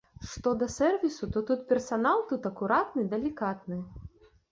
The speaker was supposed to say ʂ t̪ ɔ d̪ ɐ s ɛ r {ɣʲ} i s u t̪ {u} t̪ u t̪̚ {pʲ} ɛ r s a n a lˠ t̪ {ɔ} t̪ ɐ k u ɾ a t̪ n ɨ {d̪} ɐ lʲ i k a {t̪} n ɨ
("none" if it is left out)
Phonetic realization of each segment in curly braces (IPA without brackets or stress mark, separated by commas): vʲ, ɔ, pʲ, u, d̪, t̪